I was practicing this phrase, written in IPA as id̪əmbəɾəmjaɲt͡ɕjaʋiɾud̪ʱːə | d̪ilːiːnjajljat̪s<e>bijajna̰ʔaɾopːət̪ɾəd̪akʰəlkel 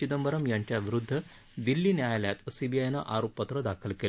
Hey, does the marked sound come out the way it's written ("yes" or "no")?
no